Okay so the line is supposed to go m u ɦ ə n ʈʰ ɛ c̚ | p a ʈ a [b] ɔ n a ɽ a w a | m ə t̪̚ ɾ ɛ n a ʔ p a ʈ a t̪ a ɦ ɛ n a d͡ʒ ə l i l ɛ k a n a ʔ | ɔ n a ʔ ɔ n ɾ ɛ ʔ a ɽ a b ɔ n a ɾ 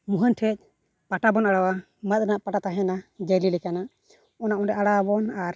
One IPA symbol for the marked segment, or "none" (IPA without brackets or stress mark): b